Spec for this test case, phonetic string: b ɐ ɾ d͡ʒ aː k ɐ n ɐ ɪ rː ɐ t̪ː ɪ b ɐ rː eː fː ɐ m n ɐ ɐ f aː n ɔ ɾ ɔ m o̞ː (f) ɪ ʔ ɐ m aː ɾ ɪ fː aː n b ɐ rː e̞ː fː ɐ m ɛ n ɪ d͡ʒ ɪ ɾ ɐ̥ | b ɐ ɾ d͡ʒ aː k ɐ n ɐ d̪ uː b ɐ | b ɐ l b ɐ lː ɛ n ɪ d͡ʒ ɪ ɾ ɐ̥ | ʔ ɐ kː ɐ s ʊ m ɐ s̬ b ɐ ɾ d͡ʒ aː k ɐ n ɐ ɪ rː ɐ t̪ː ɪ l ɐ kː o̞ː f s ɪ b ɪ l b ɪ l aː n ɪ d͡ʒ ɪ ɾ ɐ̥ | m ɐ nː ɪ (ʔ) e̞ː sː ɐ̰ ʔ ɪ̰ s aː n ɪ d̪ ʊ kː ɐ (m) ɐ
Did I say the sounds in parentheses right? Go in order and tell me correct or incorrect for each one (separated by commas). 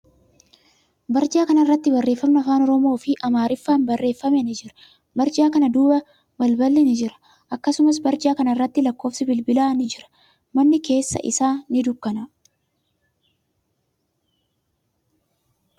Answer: correct, incorrect, incorrect